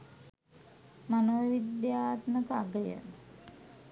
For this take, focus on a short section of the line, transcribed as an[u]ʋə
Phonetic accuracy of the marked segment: incorrect: o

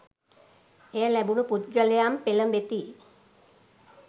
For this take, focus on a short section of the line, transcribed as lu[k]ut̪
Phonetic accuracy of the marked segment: incorrect: p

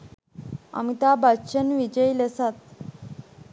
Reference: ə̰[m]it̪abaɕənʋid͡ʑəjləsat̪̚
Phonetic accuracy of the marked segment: correct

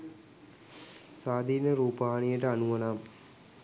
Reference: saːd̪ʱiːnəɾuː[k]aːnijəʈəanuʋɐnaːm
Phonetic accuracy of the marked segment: incorrect: p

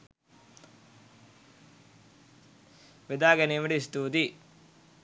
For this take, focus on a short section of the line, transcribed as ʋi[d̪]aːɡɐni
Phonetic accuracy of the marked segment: correct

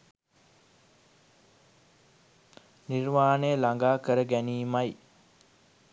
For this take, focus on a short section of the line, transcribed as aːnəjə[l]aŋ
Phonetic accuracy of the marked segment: correct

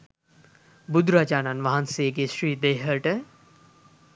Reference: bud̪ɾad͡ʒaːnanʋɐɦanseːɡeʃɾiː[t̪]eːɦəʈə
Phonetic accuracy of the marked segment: incorrect: d̪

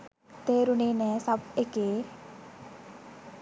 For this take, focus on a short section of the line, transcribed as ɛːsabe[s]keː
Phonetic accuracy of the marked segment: incorrect: none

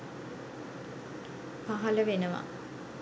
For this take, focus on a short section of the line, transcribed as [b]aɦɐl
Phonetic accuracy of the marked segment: incorrect: p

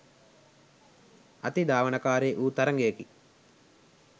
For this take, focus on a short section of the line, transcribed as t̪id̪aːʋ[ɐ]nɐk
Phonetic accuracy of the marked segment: correct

